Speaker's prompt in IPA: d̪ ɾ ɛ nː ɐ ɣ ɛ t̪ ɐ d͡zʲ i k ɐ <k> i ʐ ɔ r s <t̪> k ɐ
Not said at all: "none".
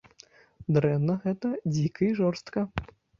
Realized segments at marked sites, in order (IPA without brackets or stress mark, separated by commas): none, t̪